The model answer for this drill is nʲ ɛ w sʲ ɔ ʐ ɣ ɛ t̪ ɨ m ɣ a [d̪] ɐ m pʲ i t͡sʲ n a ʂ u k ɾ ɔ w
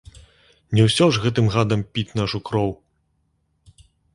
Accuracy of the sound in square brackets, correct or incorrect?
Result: correct